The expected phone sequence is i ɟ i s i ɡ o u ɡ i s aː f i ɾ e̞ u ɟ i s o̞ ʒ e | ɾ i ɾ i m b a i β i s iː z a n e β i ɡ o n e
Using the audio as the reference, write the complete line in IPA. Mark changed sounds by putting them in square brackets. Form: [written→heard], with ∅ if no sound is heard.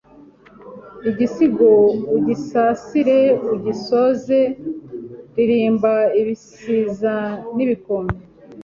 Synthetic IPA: i ɟ i s i ɡ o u [ɡ→ɟ] i s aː [f→s] i ɾ e̞ u ɟ i s o̞ [ʒ→z] e | ɾ i ɾ [i→iː] m b a i β i s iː z a n [e→i] β i [ɡ→k] o [n→m] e